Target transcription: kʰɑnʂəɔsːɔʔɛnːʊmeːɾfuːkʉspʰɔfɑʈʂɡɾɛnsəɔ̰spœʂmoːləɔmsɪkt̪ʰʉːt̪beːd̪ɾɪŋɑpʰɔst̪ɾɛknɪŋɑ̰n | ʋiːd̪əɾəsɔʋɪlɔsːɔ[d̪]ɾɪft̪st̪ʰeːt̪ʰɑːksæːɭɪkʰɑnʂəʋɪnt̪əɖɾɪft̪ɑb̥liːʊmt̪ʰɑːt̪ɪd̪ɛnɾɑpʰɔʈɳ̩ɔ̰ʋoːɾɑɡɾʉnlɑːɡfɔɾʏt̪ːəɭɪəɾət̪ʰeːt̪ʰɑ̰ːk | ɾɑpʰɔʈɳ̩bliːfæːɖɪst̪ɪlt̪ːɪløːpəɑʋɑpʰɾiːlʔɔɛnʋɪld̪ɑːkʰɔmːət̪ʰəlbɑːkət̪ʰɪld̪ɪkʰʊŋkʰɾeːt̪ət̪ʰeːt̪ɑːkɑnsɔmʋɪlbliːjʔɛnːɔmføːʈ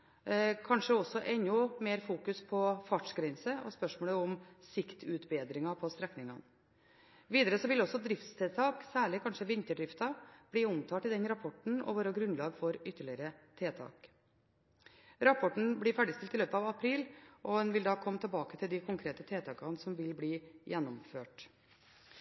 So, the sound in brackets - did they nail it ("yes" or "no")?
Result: yes